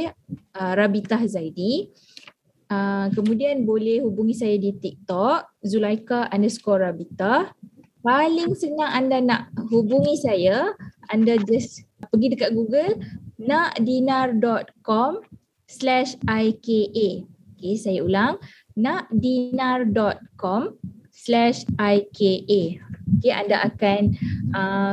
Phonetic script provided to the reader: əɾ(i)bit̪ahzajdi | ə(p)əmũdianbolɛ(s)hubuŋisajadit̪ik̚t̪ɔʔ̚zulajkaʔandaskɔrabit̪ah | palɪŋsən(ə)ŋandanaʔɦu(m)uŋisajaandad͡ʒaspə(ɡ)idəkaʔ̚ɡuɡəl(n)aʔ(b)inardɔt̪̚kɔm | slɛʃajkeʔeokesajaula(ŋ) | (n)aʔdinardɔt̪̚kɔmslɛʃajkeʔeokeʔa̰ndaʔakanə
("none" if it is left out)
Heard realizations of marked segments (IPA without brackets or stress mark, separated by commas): a, k, h, a, b, ɡ, n, d, ŋ, n